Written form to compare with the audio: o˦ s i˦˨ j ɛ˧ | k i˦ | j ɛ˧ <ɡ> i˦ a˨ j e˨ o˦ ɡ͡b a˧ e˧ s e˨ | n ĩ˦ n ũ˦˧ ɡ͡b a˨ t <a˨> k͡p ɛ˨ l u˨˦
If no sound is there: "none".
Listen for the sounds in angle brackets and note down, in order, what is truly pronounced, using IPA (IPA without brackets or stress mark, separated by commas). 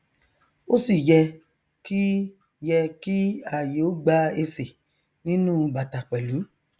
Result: k, a˨